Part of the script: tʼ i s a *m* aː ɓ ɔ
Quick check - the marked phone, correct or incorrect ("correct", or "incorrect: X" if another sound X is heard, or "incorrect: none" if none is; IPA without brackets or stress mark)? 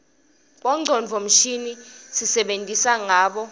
incorrect: ŋ